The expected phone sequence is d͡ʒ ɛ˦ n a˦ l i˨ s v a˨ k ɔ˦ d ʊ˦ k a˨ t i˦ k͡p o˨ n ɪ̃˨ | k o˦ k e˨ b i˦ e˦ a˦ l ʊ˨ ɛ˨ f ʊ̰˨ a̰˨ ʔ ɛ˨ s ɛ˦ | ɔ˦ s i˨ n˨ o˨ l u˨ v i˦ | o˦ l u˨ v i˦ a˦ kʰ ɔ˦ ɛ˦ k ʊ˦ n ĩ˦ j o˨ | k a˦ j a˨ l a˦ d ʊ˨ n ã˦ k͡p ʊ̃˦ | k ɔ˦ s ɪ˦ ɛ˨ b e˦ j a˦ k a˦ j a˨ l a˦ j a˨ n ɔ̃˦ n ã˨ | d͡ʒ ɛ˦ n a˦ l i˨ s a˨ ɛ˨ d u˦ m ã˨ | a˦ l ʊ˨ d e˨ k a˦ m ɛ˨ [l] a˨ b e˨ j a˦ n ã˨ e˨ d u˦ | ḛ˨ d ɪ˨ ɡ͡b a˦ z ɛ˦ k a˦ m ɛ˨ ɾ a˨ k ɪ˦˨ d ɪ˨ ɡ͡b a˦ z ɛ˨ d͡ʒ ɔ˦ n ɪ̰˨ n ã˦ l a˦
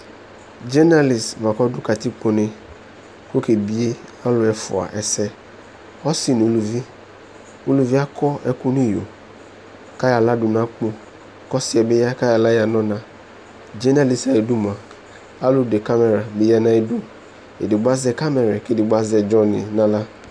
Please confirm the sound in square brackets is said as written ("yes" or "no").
no